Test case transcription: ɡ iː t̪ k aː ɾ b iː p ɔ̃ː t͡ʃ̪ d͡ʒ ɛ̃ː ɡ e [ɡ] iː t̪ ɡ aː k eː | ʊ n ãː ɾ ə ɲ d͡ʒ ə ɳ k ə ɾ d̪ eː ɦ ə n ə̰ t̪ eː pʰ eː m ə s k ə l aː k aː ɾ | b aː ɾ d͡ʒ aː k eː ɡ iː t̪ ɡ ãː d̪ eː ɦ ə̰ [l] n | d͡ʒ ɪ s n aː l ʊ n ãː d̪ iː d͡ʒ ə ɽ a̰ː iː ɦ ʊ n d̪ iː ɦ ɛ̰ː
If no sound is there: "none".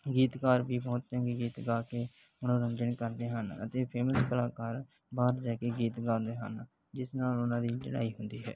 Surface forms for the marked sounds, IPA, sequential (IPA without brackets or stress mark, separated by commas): ɡ, none